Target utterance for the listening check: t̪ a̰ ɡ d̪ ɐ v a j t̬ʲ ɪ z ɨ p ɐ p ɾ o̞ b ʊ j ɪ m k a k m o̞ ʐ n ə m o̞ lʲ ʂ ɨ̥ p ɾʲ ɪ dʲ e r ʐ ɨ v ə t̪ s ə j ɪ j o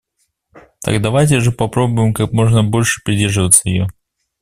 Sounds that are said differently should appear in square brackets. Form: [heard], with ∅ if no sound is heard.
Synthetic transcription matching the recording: t̪ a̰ ɡ d̪ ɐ v a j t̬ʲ ɪ [ʐ] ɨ p ɐ p ɾ o̞ b ʊ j ɪ m k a k m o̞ ʐ n ə [b] o̞ lʲ ʂ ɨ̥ p ɾʲ ɪ dʲ e r ʐ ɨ v ə t̪ s ə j ɪ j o